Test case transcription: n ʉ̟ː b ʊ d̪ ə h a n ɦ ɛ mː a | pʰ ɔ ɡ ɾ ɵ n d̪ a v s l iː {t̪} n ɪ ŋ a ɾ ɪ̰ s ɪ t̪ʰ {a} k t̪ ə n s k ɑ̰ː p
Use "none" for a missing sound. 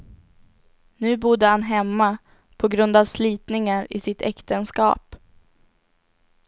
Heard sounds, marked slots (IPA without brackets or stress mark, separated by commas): t̪, ɛ